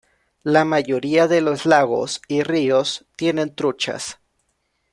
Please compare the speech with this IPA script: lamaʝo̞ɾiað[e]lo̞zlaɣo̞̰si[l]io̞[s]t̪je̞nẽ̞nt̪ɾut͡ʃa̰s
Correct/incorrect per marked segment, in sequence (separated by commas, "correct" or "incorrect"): correct, incorrect, correct